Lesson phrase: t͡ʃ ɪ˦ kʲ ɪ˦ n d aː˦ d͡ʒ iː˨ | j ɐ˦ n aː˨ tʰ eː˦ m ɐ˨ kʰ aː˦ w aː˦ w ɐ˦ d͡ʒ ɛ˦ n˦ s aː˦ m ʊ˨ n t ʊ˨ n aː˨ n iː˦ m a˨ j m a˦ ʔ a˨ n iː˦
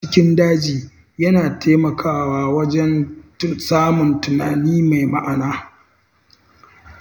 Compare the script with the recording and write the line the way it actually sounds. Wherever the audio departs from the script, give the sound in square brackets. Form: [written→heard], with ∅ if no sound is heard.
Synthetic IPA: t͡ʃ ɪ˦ kʲ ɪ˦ n d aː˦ d͡ʒ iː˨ | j ɐ˦ n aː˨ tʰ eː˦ m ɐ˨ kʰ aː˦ w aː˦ w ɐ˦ d͡ʒ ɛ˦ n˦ s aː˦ m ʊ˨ n t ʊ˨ n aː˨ n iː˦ m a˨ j m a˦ ʔ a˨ n [iː˦→aː˦]